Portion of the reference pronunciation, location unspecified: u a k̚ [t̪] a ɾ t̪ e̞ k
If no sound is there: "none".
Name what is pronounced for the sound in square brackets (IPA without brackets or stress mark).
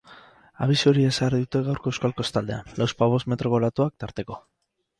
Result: t̪